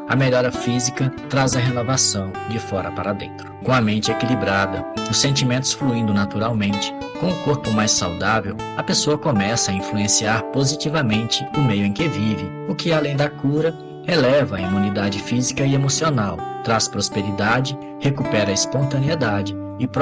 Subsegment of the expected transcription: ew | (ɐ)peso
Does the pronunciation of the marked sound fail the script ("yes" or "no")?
no